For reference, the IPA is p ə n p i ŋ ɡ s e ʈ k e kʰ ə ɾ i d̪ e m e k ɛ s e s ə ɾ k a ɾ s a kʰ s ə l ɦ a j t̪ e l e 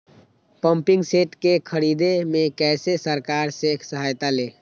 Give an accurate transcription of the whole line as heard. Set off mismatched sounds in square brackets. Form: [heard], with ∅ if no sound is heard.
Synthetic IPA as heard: p ə [m] p i ŋ ɡ s e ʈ k e kʰ ə ɾ i d̪ e m e k ɛ s e s ə ɾ k a ɾ s [e] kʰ s ə [∅] ɦ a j t̪ [a] l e